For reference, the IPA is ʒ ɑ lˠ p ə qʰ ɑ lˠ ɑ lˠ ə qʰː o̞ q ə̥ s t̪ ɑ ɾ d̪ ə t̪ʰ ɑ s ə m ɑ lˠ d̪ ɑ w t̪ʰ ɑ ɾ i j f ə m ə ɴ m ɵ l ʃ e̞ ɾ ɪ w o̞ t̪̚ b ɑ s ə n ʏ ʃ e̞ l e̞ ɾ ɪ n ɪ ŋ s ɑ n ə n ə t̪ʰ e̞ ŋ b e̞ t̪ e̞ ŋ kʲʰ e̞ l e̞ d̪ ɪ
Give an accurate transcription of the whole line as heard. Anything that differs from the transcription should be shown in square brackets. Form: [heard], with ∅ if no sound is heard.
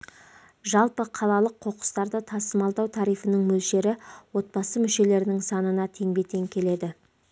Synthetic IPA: ʒ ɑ lˠ p ə qʰ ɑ lˠ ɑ lˠ ə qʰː o̞ q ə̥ s t̪ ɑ ɾ d̪ ə t̪ʰ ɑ s ə m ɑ lˠ d̪ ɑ w t̪ʰ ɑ ɾ i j f ə [n] ə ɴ m ɵ l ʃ e̞ ɾ ɪ w o̞ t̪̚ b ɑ s ə [m] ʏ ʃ e̞ l e̞ ɾ ɪ n ɪ ŋ s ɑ n ə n [ɑ] t̪ʰ e̞ ŋ b e̞ t̪ e̞ ŋ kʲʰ e̞ l e̞ d̪ ɪ

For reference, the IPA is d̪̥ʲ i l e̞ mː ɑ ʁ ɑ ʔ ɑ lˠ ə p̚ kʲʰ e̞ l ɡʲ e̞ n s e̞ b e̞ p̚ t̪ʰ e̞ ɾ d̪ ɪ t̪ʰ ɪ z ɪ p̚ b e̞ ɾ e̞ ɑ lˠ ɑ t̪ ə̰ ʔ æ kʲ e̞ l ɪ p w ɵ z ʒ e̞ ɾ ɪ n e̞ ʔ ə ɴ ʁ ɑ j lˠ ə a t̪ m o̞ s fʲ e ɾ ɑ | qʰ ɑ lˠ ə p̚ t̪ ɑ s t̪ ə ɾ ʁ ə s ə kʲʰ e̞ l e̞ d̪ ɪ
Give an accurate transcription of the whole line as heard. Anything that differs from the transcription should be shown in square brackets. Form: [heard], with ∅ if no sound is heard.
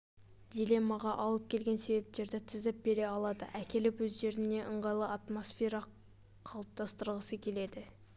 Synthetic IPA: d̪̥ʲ i l e̞ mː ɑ ʁ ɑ ʔ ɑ lˠ ə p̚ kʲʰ e̞ l ɡʲ e̞ n s e̞ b e̞ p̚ [t̪] e̞ ɾ d̪ ɪ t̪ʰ ɪ z ɪ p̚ b e̞ ɾ e̞ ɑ lˠ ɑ [d̪] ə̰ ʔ æ kʲ e̞ l ɪ p w ɵ z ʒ e̞ ɾ ɪ n e̞ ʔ ə ɴ ʁ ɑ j lˠ ə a t̪ m o̞ s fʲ e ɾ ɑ | qʰ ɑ lˠ ə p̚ t̪ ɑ s t̪ ə ɾ ʁ ə s ə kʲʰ e̞ l e̞ d̪ ɪ

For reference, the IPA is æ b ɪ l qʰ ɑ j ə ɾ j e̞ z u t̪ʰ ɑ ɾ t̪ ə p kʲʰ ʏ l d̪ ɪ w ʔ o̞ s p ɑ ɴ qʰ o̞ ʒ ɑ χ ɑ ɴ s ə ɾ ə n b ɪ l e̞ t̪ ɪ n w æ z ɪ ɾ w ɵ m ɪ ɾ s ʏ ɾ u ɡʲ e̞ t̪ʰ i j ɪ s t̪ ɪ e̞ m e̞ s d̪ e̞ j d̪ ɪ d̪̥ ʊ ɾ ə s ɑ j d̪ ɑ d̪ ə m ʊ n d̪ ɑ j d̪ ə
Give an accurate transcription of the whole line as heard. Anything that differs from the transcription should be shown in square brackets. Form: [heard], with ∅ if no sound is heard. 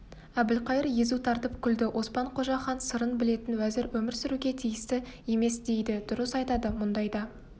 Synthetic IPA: æ b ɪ l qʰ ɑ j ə ɾ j e̞ z u t̪ʰ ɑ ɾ t̪ ə p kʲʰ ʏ l d̪ ɪ w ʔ o̞ s p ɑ ɴ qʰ o̞ ʒ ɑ χ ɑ [n] s ə ɾ ə n b ɪ l e̞ t̪ ɪ n w æ z ɪ ɾ w ɵ m ɪ ɾ s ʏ ɾ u ɡʲ e̞ t̪ʰ i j ɪ s t̪ ɪ e̞ m e̞ s d̪ e̞ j d̪ ɪ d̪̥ ʊ ɾ ə s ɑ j [t̪] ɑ d̪ ə m ʊ n d̪ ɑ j d̪ [ɑ]

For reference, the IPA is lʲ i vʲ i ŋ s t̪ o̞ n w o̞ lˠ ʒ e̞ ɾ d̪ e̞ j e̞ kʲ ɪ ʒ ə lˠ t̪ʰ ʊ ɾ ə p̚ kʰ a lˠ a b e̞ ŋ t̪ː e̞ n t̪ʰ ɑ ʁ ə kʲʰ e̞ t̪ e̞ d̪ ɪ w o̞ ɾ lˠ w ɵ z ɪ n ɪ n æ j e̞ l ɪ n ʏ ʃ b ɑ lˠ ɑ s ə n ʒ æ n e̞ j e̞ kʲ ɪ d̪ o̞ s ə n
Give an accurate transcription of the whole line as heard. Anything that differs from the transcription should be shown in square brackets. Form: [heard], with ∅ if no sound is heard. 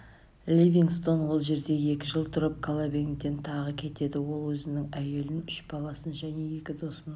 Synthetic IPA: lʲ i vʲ i ŋ s t̪ o̞ n w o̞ lˠ ʒ e̞ ɾ d̪ e̞ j e̞ kʲ ɪ ʒ ə lˠ t̪ʰ ʊ ɾ ə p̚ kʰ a lˠ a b e̞ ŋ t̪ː e̞ n t̪ʰ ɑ ʁ ə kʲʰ e̞ t̪ e̞ d̪ ɪ w o̞ [∅] lˠ w ɵ z ɪ n ɪ [ŋ] æ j e̞ l ɪ n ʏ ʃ b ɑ lˠ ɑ s ə n ʒ æ n e̞ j e̞ kʲ ɪ d̪ o̞ s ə n

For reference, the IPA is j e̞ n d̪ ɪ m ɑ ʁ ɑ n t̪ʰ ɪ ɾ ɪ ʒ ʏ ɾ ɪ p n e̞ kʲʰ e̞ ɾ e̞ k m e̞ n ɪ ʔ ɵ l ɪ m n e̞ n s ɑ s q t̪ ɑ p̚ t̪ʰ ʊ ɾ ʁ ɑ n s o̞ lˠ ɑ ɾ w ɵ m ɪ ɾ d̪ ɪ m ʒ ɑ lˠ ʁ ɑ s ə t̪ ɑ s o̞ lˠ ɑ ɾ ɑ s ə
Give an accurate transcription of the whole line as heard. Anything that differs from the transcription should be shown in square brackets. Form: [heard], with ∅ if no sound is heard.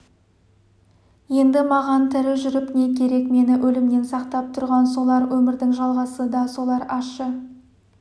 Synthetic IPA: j e̞ n d̪ ɪ m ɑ ʁ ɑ n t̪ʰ ɪ ɾ ɪ ʒ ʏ ɾ ɪ p n e̞ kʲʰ e̞ ɾ e̞ k m e̞ n ɪ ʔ ɵ l ɪ m n e̞ n s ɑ [∅] q t̪ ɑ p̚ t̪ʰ ʊ ɾ ʁ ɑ n s o̞ lˠ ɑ ɾ w ɵ m ɪ ɾ d̪ ɪ [ŋ] ʒ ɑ lˠ ʁ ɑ s ə [d̪] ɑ s o̞ lˠ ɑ ɾ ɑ [ʃ] ə

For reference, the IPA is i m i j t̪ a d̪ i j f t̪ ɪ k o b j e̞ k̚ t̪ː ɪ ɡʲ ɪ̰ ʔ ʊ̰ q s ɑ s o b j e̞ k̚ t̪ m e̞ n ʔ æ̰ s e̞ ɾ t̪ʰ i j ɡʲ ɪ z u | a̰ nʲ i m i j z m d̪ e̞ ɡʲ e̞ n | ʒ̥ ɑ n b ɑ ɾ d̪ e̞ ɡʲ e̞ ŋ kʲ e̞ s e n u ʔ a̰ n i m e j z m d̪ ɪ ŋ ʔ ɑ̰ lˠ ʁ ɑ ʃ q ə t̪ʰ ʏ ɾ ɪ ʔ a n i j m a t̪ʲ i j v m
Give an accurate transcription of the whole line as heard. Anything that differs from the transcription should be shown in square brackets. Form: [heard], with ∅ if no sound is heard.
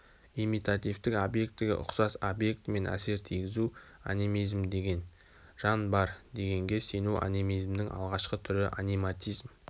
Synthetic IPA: i m i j t̪ a [t̪] i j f t̪ ɪ k o b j e̞ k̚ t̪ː ɪ ɡʲ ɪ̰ ʔ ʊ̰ q s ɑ s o b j e̞ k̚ t̪ m e̞ n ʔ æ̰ s e̞ ɾ t̪ʰ i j ɡʲ ɪ z u | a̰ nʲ i m i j z m d̪ e̞ ɡʲ e̞ n | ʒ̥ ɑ n b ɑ ɾ d̪ e̞ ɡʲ e̞ ŋ [ɡʲ] e̞ s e n u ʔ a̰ n i m [i] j z m d̪ ɪ ŋ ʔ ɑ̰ lˠ ʁ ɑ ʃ q ə t̪ʰ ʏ ɾ ɪ ʔ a n i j m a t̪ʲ i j [z] m

